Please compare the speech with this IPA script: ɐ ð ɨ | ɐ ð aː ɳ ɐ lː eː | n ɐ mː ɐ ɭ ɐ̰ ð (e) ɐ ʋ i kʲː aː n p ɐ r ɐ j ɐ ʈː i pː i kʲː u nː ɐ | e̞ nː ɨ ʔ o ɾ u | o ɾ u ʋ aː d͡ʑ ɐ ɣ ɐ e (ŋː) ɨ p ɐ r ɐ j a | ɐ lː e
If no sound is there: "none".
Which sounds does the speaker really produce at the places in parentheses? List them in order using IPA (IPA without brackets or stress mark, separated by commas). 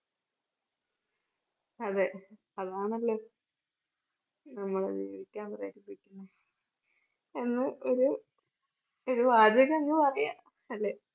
i, ŋː